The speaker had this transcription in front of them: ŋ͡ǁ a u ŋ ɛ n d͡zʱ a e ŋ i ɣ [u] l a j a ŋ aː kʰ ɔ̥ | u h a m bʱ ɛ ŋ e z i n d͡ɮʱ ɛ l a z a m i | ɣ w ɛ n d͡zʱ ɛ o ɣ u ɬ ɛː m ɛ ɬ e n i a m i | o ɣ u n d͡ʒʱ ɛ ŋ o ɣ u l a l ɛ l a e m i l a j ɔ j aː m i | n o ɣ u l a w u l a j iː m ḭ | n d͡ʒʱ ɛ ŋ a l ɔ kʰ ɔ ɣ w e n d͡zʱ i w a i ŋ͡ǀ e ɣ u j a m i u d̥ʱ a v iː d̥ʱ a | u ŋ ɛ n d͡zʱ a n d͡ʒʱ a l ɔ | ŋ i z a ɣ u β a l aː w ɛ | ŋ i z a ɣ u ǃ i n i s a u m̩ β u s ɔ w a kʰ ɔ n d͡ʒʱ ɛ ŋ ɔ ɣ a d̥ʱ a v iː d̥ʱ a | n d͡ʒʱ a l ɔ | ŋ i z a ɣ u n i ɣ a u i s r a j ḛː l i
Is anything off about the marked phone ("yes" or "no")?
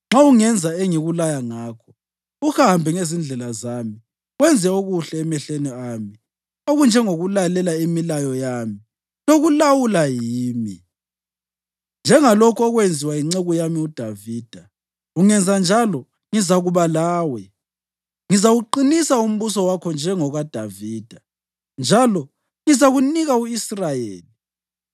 no